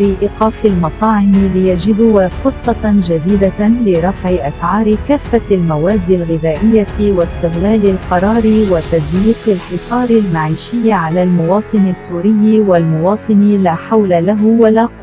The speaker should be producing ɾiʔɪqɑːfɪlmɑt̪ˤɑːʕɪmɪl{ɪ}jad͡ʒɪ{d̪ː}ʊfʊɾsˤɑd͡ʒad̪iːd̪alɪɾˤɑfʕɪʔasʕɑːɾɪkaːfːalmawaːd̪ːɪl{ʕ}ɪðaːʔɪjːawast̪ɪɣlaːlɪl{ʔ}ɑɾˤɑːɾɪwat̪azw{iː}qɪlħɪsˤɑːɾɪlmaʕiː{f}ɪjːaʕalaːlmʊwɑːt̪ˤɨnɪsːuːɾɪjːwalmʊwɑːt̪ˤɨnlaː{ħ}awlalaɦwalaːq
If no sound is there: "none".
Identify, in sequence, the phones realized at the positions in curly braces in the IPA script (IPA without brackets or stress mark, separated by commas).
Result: ɪ, d̪, ɣ, q, iː, ʃ, ħ